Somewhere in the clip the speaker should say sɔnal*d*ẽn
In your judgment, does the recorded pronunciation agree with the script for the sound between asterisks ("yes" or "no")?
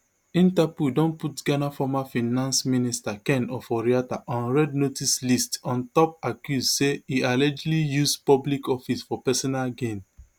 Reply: no